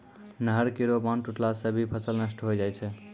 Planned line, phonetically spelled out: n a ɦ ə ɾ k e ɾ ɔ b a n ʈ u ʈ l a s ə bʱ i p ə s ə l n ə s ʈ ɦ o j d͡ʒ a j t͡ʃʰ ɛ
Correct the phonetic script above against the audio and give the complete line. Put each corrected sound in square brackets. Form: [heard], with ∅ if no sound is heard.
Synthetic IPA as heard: n [ə] ɦ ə ɾ k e ɾ [o] b a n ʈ u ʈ l a s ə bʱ i [pʰ] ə s ə l n ə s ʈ ɦ o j d͡ʒ a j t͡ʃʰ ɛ